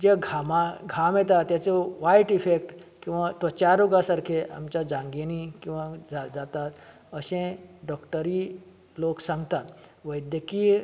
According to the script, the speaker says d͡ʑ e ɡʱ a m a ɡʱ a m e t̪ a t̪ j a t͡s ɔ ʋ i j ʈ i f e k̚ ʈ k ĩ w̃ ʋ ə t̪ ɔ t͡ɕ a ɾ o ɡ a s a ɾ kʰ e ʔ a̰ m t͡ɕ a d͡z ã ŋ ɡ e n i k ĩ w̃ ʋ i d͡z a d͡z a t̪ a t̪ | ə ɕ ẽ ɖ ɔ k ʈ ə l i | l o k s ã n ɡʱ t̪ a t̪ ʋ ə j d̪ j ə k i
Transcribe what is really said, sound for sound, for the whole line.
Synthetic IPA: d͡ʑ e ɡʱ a m a ɡʱ a m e t̪ a t̪ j a t͡s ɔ ʋ a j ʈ i f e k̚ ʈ k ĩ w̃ ʋ a t̪ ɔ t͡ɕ a ɾ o ɡ a s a ɾ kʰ e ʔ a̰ m t͡ɕ a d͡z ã ŋ ɡ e n i k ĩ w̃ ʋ a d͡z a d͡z a t̪ a t̪ | ə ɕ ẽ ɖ ɔ k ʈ ə ɾ i | l o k s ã ŋ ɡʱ t̪ a t̪ ʋ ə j d̪ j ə k i